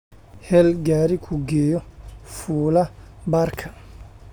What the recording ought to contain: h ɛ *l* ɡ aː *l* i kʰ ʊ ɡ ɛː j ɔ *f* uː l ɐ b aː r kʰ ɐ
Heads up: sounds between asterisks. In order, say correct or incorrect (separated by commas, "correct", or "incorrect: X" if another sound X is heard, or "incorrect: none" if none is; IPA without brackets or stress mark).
correct, incorrect: ɾ, correct